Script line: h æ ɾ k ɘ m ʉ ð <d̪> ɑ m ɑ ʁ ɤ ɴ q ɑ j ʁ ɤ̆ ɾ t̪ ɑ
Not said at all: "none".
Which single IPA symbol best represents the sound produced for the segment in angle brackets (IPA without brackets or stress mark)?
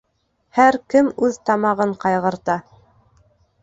t̪